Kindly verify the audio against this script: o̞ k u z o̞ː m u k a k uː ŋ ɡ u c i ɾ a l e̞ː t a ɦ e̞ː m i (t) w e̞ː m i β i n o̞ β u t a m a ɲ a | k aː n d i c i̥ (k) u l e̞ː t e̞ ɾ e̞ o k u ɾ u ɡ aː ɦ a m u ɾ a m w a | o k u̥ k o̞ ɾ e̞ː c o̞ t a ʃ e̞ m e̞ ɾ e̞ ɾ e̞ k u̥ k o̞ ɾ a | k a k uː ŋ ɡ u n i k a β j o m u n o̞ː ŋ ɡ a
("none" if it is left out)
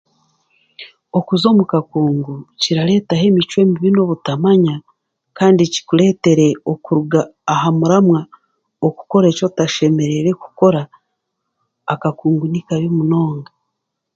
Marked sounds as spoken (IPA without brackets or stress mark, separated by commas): t͡ʃ, k